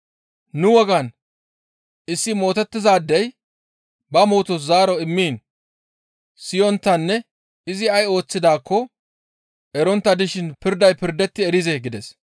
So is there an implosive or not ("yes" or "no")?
no